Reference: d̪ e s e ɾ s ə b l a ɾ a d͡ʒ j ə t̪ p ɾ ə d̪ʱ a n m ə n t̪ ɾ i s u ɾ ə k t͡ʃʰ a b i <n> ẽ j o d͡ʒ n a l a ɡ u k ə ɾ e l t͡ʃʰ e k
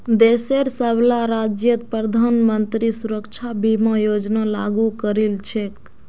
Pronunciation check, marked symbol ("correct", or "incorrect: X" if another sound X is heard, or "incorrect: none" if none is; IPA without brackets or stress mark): incorrect: m